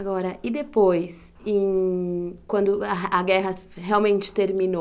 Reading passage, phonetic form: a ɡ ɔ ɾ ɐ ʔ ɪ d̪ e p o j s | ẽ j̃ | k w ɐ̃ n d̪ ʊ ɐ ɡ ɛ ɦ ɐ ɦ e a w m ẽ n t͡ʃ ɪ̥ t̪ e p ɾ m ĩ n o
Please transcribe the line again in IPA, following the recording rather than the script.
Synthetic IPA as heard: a ɡ ɔ ɾ ɐ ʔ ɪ d̪ e p o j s | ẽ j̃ | k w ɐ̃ n d̪ ʊ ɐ ɡ ɛ ɦ ɐ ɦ e a w m ẽ n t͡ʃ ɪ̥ t̪ e ɾ m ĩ n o